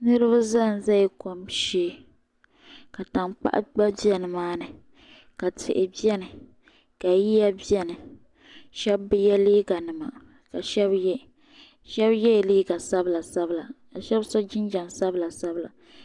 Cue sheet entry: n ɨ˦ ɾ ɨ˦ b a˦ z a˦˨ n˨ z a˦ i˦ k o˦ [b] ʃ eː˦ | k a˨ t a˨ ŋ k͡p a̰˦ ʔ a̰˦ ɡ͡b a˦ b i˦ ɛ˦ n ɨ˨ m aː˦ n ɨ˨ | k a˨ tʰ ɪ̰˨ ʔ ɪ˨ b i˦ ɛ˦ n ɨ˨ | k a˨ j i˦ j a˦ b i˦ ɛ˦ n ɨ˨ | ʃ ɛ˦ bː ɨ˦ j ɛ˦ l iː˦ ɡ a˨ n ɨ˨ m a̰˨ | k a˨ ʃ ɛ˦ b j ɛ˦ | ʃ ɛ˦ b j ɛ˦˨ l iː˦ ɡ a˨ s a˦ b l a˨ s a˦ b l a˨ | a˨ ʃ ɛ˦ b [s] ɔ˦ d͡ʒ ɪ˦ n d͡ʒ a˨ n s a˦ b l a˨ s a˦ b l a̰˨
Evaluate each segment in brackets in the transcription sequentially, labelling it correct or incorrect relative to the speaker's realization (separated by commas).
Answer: incorrect, correct